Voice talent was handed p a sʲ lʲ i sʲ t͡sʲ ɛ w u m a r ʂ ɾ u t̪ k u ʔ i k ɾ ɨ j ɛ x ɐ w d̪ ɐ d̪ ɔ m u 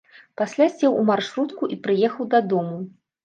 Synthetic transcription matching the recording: p a sʲ lʲ a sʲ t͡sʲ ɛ w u m a r ʂ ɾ u t̪ k u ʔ i p ɾ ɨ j ɛ x ɐ w d̪ ɐ d̪ ɔ m u